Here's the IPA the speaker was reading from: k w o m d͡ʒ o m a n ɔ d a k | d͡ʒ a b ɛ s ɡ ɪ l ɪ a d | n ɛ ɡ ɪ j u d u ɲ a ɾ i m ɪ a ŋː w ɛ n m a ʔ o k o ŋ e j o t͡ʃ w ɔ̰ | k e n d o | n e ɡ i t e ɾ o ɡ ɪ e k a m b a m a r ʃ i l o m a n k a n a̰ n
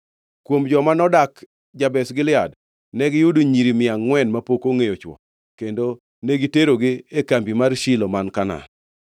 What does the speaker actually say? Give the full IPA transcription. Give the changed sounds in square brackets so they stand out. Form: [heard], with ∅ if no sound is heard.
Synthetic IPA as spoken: k w o m d͡ʒ [ɔ] m a n ɔ d a k | d͡ʒ a b ɛ s ɡ ɪ l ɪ a d | n ɛ ɡ ɪ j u d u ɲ [i] ɾ i m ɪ a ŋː w ɛ n m a [p] o k o ŋ e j o t͡ʃ w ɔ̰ | k e n d o | n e ɡ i t e ɾ o ɡ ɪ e k a m b [i] m a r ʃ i l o m a n k a n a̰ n